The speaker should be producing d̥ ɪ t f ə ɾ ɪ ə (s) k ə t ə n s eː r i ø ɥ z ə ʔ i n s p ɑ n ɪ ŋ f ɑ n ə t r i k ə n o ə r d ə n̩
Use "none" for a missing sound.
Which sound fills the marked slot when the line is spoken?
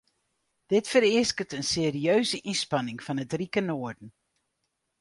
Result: s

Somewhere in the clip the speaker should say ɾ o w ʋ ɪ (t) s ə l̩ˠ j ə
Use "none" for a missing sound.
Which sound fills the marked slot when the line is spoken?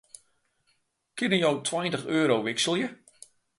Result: k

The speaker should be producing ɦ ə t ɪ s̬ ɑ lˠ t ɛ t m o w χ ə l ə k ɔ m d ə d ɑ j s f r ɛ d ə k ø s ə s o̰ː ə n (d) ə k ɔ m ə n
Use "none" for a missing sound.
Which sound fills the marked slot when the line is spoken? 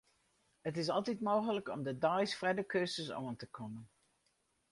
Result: t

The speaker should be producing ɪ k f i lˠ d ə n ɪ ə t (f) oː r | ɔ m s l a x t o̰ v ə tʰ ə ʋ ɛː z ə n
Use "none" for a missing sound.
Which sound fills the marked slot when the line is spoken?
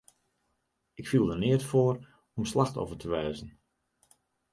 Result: f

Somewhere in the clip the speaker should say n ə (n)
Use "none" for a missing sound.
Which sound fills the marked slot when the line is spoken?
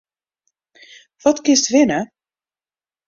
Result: none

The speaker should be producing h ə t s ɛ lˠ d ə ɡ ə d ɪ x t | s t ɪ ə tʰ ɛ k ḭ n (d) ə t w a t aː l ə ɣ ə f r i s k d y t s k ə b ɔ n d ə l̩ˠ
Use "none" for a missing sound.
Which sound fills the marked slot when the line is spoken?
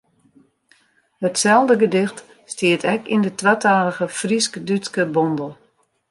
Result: d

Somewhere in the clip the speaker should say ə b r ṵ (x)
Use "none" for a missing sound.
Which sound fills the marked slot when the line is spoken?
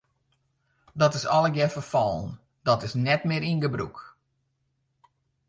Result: k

